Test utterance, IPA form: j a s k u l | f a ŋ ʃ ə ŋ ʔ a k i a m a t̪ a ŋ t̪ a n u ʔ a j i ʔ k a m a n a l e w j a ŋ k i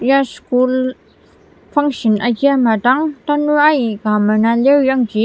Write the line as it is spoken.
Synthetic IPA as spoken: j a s k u l | f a ŋ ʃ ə n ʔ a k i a m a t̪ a ŋ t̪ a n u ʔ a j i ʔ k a m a n a l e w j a ŋ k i